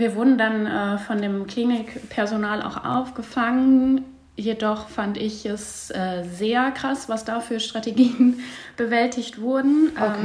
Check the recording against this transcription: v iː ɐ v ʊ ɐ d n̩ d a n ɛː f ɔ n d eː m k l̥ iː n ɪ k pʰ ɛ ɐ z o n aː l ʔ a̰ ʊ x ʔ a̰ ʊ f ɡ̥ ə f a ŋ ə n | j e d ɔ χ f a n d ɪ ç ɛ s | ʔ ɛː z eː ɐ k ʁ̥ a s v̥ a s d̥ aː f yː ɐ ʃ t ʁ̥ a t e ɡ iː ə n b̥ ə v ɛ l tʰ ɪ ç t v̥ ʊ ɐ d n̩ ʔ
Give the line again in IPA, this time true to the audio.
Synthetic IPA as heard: v iː ɐ v ʊ ɐ d n̩ d a n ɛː f ɔ n d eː m k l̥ iː n ɪ k pʰ ɛ ɐ z o n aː l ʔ a̰ ʊ x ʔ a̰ ʊ f ɡ̥ ə f a ŋ ə n | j e d ɔ χ f a n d ɪ ç ɛ s | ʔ ɛː z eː ɐ k ʁ̥ a s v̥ a s d̥ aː f yː ɐ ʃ t ʁ̥ a t e ɡ iː ə n b̥ ə v ɛ l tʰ ɪ ç t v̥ ʊ ɐ d n̩ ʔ